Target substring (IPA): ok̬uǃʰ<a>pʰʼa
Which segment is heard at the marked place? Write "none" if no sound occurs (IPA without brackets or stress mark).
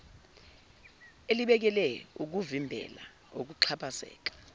a